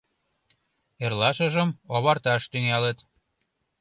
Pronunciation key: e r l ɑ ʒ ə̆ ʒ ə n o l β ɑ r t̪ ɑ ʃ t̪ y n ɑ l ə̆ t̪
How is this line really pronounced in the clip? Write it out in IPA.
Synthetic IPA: e r l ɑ ʃ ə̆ ʒ ə m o β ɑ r t̪ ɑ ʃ t̪ y ŋ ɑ l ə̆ t̪

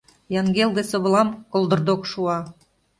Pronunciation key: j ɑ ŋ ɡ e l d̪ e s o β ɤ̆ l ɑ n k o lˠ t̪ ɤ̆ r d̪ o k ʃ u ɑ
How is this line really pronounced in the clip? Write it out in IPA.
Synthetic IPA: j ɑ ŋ ɡ e l d̪ e s o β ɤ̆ l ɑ m k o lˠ d̪ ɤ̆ r d̪ o k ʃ u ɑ

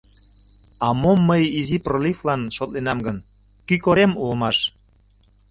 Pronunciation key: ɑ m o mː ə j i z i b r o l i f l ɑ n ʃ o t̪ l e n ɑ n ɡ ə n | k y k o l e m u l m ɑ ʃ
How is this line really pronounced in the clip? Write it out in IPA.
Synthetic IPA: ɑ m o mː ə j i z i p r o l i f l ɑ n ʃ o t̪ l e n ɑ m ɡ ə n | k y k o ɾ e m u l m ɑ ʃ

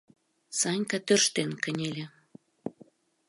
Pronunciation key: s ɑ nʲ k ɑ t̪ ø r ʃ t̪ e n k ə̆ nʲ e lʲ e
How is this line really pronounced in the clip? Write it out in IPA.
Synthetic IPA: s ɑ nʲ k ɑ t̪ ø r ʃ t̪ e n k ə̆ nʲ e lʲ e

